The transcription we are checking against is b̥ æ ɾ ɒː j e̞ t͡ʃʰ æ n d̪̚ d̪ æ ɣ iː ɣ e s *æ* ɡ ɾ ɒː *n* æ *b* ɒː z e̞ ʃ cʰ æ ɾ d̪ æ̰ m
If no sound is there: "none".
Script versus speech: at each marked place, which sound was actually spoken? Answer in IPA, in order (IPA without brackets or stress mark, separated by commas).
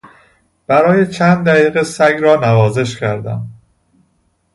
æ, n, v